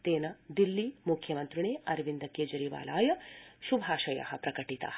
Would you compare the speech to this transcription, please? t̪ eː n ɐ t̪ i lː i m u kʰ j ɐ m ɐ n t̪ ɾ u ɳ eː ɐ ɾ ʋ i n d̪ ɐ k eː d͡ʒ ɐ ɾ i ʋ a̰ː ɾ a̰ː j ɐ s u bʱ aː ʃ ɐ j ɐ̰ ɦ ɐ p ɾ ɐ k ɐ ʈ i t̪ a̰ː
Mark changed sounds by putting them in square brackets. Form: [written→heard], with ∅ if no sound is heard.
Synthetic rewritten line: t̪ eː n ɐ [t̪→d̪] i lː i m u kʰ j ɐ m ɐ n t̪ ɾ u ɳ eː ɐ ɾ ʋ i n d̪ ɐ k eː d͡ʒ ɐ ɾ i ʋ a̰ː [ɾ→l] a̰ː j ɐ [s→ʃ] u bʱ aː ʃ ɐ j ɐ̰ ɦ ɐ p ɾ ɐ k ɐ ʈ i t̪ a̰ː